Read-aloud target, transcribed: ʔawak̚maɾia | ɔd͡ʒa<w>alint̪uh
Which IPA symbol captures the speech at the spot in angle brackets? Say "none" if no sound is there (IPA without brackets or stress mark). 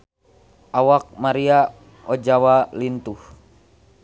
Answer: w